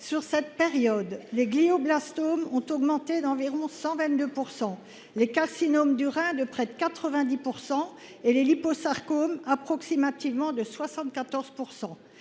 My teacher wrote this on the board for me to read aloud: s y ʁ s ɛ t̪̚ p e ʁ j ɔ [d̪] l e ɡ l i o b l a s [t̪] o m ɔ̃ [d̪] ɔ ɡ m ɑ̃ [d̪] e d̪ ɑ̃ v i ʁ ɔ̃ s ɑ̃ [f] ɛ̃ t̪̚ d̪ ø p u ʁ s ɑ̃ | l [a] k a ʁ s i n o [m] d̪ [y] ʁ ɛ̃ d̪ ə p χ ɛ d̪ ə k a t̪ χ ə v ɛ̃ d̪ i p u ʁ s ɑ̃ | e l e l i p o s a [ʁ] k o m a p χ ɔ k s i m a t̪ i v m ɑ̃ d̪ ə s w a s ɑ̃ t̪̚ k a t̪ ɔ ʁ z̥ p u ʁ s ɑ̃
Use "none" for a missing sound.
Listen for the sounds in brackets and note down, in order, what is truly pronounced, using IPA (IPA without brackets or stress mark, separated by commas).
d̪, t̪, t̪, t̪, v, e, m, y, ʁ